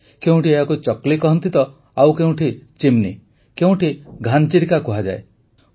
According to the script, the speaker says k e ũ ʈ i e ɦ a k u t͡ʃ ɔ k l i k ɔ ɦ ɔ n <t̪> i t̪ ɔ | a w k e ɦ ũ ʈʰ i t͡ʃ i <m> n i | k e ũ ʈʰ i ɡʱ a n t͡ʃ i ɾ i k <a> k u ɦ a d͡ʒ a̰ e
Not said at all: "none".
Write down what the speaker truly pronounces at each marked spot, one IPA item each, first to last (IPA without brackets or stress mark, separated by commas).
t̪, m, a